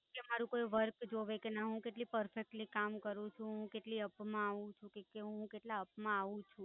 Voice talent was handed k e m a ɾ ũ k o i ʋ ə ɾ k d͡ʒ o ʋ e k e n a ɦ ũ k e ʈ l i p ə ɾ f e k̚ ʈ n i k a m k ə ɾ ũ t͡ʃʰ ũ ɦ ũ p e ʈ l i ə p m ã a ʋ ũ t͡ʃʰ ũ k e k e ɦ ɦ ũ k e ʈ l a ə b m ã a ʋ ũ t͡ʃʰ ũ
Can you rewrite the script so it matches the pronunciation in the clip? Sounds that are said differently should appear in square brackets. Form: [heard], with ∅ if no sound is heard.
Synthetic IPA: k e m a ɾ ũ k o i ʋ ə ɾ k d͡ʒ o ʋ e k e n a ɦ ũ k e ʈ l i p ə ɾ f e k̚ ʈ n i k a m k ə ɾ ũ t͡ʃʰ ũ ɦ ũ [k] e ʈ l i ə p m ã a ʋ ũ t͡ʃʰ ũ k e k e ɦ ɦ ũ k e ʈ l a ə [p] m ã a ʋ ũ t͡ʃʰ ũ